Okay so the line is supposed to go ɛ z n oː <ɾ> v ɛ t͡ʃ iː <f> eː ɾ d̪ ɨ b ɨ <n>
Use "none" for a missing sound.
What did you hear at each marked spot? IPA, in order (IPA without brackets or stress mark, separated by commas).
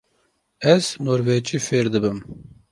ɾ, f, m